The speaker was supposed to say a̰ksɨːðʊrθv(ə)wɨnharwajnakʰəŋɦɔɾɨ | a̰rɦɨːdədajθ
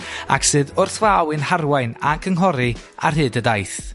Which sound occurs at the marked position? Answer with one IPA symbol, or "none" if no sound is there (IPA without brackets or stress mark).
a